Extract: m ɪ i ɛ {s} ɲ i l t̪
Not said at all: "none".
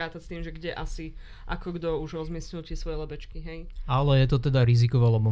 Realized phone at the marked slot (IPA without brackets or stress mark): s